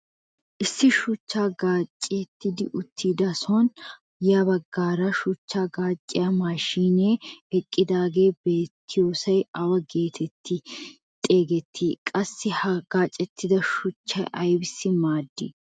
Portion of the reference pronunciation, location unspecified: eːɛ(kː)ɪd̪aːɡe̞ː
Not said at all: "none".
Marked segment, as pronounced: kʼː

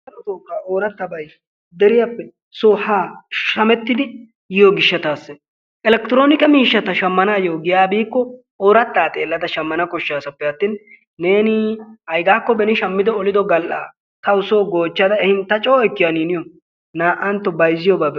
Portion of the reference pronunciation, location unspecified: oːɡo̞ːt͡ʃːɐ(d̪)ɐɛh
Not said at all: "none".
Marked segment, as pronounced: d̪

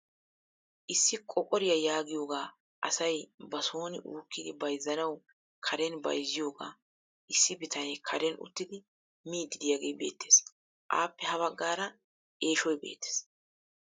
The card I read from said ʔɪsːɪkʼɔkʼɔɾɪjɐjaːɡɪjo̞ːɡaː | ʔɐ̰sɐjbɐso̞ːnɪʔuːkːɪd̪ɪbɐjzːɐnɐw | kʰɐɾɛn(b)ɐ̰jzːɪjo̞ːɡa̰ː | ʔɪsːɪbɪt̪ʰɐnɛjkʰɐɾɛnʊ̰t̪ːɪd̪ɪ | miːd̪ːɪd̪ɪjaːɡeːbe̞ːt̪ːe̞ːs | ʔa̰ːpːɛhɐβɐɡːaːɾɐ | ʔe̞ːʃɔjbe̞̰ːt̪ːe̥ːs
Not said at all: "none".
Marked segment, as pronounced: b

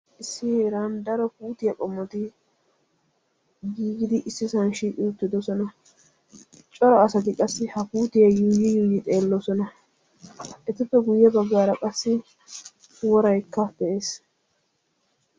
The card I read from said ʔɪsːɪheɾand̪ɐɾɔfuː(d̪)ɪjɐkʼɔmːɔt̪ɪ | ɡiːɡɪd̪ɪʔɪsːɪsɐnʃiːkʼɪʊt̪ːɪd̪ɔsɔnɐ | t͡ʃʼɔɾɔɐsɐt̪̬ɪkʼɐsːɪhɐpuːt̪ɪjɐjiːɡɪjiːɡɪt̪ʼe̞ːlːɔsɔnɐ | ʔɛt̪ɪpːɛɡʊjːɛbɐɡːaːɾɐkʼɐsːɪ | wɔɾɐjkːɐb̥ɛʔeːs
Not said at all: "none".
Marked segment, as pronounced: t̪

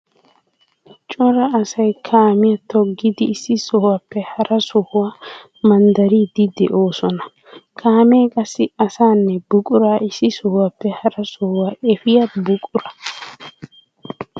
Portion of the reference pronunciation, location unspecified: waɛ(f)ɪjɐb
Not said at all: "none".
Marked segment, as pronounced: f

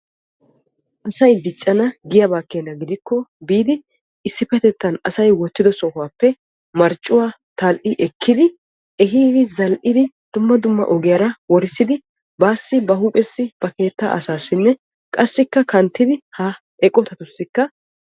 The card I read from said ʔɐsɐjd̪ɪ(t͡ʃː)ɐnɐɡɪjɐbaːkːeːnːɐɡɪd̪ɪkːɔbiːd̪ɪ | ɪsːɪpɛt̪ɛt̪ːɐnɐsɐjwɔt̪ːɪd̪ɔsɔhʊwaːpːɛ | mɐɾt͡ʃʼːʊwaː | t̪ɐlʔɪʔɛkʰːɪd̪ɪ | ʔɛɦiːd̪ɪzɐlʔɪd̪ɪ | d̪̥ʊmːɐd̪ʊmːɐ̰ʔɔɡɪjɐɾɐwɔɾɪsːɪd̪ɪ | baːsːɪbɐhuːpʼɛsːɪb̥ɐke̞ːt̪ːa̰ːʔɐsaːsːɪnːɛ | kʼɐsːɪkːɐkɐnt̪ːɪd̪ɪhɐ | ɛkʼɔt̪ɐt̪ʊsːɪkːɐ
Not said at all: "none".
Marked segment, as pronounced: t͡ʃʼː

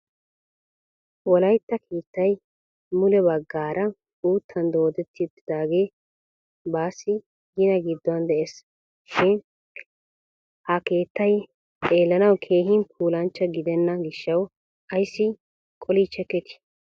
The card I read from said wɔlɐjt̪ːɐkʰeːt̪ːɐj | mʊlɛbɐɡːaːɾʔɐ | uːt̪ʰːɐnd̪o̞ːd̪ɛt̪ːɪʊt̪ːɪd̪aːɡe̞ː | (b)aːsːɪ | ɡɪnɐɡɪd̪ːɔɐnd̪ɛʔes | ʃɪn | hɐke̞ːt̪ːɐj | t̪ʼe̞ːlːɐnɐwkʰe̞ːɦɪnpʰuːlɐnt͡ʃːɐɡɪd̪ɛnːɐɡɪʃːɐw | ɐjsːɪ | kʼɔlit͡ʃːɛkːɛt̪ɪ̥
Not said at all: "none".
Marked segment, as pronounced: b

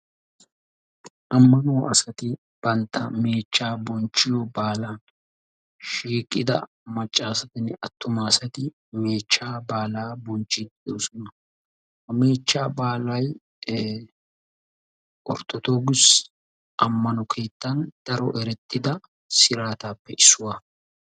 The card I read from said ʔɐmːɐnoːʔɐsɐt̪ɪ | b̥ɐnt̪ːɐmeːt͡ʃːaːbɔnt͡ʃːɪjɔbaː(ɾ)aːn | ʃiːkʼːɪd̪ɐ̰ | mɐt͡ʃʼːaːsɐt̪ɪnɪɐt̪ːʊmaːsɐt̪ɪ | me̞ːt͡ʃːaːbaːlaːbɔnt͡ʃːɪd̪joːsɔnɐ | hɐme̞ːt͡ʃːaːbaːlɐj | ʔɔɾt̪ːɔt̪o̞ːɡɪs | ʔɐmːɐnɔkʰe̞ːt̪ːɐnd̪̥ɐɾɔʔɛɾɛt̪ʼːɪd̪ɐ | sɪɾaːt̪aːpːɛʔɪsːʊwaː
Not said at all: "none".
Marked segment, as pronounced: l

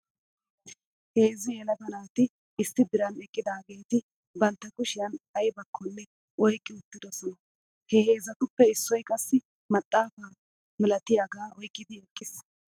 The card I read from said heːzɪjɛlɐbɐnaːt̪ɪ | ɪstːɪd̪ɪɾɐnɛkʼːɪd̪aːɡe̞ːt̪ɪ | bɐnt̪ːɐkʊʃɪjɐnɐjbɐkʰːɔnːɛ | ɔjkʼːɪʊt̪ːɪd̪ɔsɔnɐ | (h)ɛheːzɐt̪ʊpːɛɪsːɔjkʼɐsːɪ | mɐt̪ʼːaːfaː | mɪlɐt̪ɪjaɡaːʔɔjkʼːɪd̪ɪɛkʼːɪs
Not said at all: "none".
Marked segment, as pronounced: h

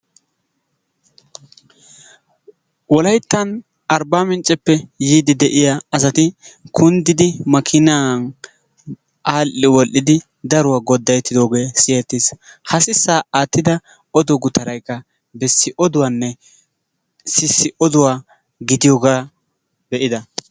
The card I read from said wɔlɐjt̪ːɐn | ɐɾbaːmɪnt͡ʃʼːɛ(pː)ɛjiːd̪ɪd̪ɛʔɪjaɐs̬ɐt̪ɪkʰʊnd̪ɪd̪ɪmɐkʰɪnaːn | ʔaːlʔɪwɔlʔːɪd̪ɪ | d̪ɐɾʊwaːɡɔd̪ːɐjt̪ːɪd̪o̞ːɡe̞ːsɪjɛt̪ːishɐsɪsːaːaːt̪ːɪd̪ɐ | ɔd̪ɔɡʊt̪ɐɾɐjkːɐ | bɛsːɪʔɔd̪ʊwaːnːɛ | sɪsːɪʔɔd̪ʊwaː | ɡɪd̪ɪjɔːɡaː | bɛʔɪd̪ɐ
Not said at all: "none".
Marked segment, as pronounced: pː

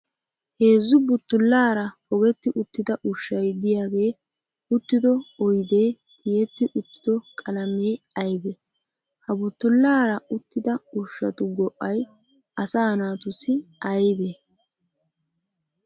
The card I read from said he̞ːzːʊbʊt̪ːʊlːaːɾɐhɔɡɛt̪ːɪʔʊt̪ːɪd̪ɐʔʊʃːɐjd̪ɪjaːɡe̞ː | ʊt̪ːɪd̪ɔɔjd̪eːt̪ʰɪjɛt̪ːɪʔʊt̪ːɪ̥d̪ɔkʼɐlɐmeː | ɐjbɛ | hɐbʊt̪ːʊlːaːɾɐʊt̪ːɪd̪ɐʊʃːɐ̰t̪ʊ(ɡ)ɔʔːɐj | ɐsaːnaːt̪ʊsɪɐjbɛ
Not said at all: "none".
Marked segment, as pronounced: ɡ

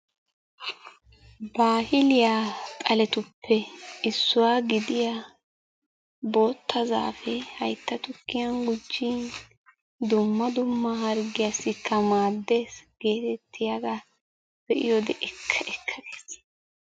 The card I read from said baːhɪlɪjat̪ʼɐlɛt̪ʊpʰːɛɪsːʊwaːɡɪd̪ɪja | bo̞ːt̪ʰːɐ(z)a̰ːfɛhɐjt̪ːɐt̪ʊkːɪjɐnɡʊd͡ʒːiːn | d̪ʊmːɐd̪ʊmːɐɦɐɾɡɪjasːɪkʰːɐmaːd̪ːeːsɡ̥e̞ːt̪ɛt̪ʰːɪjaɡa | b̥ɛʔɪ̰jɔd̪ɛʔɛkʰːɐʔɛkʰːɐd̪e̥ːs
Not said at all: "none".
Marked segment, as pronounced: z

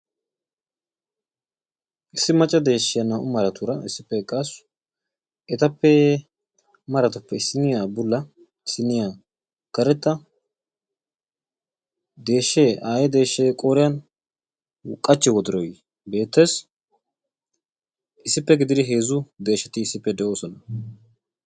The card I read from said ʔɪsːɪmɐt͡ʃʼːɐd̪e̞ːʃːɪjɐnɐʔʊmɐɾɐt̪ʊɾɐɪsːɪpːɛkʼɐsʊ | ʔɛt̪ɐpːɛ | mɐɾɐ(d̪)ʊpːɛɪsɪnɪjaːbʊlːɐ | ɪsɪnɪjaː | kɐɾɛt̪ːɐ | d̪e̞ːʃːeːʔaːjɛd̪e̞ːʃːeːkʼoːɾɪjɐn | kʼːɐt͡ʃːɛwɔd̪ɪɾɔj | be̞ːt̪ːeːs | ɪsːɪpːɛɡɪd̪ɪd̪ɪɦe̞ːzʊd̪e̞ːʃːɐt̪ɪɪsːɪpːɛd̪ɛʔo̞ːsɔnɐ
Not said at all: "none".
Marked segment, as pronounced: t̪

